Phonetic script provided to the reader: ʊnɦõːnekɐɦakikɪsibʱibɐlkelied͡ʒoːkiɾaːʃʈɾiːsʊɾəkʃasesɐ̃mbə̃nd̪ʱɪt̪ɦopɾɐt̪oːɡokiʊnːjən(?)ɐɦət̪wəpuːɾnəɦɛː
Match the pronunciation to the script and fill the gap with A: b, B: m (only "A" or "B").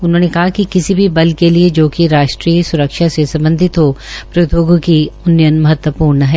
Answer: B